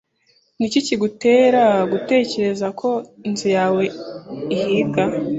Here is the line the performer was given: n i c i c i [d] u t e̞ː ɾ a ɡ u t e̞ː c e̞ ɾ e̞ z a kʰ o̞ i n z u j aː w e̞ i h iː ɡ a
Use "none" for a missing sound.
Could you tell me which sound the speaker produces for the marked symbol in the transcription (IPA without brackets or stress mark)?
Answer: ɡ